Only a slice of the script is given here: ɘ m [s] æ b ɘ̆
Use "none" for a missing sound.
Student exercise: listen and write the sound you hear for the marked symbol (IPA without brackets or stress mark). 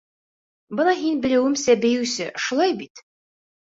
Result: s